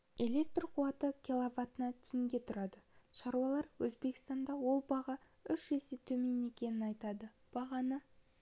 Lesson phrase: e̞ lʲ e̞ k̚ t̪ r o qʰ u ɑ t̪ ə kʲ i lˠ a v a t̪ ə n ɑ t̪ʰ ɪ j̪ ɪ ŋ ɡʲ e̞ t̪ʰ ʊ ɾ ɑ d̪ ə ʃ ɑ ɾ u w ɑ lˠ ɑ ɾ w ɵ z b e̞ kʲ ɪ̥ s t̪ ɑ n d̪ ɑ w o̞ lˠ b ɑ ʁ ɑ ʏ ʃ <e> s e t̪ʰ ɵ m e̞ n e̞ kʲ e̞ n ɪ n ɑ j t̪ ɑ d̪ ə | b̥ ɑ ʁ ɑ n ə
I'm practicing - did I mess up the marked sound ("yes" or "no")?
no